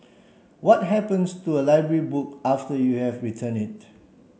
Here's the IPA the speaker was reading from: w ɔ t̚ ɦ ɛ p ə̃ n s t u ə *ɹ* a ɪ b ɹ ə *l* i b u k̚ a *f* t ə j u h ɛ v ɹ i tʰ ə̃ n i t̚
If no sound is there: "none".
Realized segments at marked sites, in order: l, ɹ, f

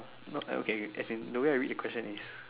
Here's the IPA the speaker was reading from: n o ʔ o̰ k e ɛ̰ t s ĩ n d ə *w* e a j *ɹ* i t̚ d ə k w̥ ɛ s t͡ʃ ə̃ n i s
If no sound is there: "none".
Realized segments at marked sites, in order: w, ɹ

